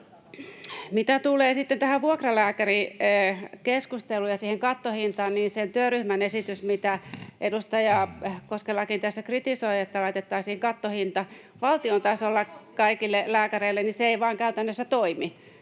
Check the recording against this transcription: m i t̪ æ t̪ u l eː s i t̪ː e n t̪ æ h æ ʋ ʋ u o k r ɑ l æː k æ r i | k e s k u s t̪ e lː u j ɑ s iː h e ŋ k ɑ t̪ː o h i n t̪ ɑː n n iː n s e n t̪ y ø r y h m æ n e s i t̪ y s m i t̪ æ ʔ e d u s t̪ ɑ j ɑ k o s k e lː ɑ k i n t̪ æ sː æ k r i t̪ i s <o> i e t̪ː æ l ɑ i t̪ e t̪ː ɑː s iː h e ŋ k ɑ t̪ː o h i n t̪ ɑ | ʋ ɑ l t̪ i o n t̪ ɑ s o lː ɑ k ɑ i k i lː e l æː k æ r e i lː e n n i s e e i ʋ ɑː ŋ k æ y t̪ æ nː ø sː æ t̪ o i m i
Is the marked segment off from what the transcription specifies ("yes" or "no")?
no